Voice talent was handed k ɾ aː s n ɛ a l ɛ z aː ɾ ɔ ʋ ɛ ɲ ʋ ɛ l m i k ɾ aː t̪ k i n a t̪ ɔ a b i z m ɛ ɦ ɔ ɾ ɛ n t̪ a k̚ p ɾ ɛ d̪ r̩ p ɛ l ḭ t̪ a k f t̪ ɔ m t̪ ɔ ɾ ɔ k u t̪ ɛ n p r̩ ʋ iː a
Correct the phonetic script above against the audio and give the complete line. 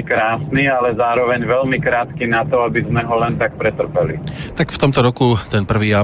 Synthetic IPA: k ɾ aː s n i a l ɛ z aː ɾ ɔ ʋ ɛ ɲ ʋ ɛ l m i k ɾ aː t̪ k i n a t̪ ɔ a b i z m ɛ ɦ ɔ l ɛ n t̪ a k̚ p ɾ ɛ t̪ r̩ p ɛ l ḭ t̪ a k f t̪ ɔ m t̪ ɔ ɾ ɔ k u t̪ ɛ n p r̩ ʋ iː a